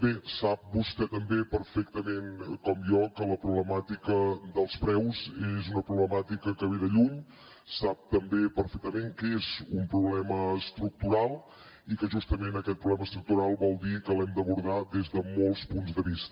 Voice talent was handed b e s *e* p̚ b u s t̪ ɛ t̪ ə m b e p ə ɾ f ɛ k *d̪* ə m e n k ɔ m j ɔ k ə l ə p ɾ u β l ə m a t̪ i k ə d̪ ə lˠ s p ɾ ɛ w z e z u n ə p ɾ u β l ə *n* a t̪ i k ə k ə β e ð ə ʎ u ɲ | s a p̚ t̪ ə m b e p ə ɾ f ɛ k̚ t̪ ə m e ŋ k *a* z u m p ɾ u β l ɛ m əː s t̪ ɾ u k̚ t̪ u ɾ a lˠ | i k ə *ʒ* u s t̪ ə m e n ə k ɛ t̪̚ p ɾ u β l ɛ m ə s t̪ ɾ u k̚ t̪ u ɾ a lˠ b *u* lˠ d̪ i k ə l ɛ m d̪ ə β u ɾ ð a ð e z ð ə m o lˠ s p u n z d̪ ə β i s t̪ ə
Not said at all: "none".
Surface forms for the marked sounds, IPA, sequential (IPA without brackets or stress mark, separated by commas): a, t̪, m, e, ʒ, ɔ